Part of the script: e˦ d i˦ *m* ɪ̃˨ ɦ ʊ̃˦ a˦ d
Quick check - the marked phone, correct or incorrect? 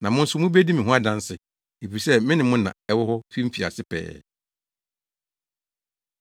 correct